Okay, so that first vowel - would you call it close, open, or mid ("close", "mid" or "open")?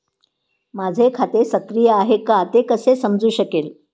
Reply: open